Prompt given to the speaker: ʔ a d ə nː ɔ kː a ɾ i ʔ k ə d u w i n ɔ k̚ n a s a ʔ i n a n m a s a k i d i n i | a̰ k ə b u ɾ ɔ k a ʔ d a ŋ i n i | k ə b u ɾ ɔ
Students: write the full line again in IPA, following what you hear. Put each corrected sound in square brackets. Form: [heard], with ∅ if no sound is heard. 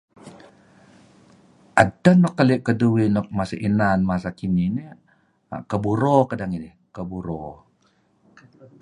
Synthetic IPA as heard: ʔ a d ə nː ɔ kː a [l] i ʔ k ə d u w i n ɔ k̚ [m] a s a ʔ i n a n m a s a k i [n] i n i | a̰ k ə b u ɾ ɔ k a [∅] d a ŋ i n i | k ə b u ɾ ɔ

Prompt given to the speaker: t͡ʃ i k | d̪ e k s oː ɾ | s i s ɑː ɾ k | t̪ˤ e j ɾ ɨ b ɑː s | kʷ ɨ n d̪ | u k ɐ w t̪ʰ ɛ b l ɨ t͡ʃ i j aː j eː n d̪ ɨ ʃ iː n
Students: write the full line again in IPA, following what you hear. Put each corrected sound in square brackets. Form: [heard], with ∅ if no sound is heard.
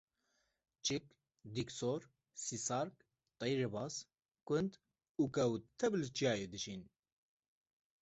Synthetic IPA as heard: t͡ʃ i k | d̪ [i] k s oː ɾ | s i s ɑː ɾ k | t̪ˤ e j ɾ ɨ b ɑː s | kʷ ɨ n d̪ | u k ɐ w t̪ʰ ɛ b l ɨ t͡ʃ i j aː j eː [∅] d̪ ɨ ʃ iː n

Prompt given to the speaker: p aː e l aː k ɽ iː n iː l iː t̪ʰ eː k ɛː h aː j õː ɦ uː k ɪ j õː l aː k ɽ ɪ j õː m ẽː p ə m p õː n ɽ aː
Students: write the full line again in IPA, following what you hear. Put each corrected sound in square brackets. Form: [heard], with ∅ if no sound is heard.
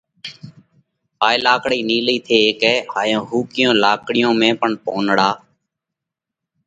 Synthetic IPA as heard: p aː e l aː k ɽ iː n iː l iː t̪ʰ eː k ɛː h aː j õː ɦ uː k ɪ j õː l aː k ɽ ɪ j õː m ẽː p ə [ɳ] p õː n ɽ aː

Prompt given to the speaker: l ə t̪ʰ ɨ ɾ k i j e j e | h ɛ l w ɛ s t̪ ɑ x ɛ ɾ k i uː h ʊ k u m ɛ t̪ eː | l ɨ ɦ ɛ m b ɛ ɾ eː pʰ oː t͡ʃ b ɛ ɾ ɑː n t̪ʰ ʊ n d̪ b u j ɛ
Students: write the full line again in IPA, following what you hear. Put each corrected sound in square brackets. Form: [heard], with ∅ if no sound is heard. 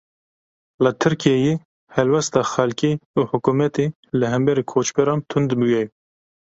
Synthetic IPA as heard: l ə t̪ʰ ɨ ɾ k i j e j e | h ɛ l w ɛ s t̪ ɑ x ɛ [l] k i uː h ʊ k u m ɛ t̪ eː | l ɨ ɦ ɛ m b ɛ ɾ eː [kʰ] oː t͡ʃ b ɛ ɾ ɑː n t̪ʰ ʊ n d̪ b u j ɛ

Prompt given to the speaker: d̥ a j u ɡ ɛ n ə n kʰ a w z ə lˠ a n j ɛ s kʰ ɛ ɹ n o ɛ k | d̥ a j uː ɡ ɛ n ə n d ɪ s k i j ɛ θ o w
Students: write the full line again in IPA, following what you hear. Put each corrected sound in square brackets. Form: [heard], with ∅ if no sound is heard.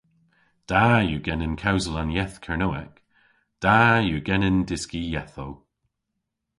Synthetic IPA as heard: d̥ a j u ɡ ɛ n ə n kʰ a w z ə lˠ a n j ɛ [θ] kʰ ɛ ɹ n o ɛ k | d̥ a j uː ɡ ɛ n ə n d ɪ s k i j ɛ θ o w

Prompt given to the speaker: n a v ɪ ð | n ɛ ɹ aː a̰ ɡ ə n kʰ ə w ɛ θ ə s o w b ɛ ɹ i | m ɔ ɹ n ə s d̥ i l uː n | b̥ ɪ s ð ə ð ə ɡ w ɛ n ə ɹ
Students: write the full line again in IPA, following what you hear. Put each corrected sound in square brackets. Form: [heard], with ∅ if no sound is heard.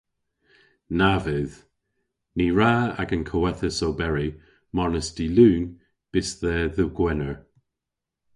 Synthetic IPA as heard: n a v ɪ ð | n [i] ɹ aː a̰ ɡ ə n kʰ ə w ɛ θ ə s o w b ɛ ɹ i | m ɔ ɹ n ə s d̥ i l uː n | b̥ ɪ s ð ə ð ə ɡ w ɛ n ə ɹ

